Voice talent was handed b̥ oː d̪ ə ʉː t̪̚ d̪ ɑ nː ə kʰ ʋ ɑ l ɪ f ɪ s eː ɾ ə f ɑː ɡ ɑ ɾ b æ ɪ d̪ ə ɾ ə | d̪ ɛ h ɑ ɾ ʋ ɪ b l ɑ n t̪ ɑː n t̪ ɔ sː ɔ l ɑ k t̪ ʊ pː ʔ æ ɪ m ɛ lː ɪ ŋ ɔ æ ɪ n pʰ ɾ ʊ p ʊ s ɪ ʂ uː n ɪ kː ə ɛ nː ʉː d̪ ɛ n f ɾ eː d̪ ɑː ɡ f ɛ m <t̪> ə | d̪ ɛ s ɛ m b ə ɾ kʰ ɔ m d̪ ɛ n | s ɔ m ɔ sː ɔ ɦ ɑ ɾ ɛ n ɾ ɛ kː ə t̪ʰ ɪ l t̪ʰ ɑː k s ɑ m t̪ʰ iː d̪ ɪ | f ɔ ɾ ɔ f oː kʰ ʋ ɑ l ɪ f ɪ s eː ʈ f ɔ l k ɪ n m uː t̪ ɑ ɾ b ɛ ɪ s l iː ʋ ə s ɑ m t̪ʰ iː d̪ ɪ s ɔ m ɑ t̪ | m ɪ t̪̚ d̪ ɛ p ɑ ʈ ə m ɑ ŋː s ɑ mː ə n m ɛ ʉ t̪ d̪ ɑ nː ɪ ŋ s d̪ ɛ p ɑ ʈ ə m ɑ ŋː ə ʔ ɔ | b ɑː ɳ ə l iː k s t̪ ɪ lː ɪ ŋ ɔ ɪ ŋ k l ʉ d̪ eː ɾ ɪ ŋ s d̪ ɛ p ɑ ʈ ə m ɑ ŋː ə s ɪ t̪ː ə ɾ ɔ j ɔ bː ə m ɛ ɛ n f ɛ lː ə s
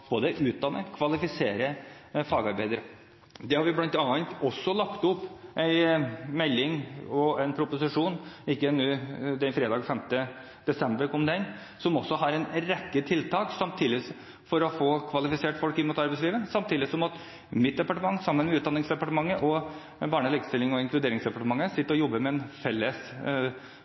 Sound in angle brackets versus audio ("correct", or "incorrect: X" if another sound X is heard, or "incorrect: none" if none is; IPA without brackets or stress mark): correct